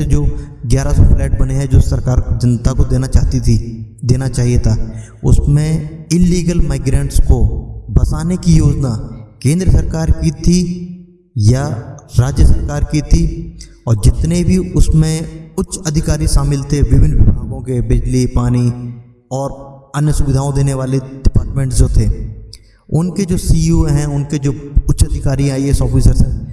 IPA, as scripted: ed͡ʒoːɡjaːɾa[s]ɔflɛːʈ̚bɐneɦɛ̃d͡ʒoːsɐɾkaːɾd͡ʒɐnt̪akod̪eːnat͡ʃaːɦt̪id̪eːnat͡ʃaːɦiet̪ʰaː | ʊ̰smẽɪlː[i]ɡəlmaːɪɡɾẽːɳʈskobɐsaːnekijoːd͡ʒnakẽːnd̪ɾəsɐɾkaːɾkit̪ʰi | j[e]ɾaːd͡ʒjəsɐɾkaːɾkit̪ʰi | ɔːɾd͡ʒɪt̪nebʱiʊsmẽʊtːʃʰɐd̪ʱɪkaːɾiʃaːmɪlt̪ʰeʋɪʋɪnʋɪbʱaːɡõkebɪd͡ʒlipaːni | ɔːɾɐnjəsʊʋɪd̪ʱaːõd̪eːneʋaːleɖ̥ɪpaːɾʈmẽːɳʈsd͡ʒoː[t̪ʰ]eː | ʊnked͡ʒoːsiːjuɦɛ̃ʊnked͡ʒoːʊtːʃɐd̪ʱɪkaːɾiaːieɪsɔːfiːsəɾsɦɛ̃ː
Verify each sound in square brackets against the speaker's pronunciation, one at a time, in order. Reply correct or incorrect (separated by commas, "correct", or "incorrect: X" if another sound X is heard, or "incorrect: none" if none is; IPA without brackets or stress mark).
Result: correct, incorrect: iː, incorrect: a, correct